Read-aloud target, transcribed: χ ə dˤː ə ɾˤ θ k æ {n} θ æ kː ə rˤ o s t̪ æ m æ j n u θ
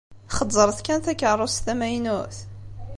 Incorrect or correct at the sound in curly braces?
correct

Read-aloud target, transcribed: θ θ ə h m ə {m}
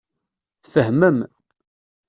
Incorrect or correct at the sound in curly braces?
correct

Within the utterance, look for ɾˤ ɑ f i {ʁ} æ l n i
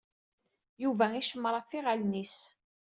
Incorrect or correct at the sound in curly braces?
correct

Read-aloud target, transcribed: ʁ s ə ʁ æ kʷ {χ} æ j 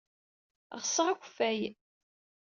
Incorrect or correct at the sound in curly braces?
incorrect: f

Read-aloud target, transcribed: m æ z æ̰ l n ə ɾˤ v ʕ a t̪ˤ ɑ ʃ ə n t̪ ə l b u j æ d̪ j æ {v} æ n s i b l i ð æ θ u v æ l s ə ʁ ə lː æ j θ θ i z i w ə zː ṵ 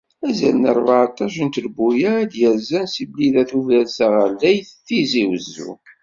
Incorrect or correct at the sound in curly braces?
incorrect: z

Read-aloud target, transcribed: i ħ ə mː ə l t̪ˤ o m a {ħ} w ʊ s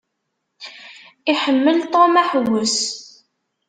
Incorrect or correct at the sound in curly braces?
correct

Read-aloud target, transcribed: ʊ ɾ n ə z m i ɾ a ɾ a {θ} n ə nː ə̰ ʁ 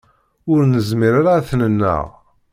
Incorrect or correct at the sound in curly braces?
correct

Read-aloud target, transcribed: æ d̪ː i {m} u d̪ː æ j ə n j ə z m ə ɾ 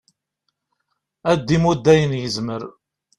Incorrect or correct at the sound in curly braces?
correct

